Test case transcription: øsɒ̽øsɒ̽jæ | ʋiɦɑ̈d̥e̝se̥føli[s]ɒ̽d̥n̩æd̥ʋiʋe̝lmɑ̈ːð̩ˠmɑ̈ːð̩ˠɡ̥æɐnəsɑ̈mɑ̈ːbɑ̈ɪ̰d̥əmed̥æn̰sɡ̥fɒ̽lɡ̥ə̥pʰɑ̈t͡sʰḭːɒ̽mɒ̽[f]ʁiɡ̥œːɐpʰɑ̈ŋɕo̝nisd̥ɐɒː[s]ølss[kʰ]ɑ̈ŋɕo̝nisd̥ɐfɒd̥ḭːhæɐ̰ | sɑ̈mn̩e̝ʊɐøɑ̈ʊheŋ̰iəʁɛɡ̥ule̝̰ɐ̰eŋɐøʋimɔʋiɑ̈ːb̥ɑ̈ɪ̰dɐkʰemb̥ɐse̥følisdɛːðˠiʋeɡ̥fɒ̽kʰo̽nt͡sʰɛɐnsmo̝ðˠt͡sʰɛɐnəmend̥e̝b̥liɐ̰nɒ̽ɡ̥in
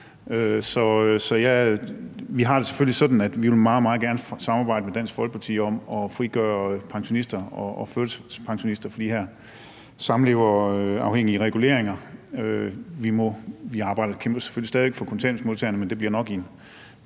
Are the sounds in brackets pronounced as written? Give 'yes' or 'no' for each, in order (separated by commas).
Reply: yes, yes, no, no